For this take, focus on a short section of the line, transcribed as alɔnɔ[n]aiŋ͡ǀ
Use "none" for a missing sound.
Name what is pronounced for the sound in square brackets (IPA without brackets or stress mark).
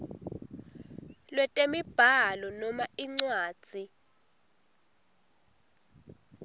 m